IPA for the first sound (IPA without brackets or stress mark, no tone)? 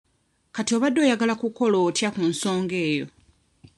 k